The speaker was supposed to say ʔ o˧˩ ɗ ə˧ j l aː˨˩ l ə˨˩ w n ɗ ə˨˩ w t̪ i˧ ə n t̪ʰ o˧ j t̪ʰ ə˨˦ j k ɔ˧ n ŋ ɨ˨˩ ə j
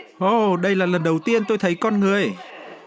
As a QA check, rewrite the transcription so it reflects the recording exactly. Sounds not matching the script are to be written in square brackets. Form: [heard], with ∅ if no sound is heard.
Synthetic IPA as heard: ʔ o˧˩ ɗ ə˧ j l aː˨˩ l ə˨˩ [∅] n ɗ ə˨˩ w t̪ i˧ ə n [t̪] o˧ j t̪ʰ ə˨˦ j k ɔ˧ n ŋ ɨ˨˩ ə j